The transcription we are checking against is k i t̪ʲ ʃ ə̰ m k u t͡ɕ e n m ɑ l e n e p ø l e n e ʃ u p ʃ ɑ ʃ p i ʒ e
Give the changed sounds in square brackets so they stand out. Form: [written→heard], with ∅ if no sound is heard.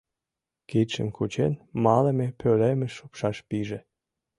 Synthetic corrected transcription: k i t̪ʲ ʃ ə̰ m k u t͡ɕ e n m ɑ l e [n→m] e p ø l e [n→m] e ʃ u p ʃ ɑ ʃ p i ʒ e